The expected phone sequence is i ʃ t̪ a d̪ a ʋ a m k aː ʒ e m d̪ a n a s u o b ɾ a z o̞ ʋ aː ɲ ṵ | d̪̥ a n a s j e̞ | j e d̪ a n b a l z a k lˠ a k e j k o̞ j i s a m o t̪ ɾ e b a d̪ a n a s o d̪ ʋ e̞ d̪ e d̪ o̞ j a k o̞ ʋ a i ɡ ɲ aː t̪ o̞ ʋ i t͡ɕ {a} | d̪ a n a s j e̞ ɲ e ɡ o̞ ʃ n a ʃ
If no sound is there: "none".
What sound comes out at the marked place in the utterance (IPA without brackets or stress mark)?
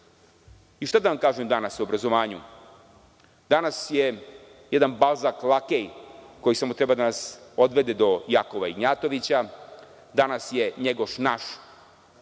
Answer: a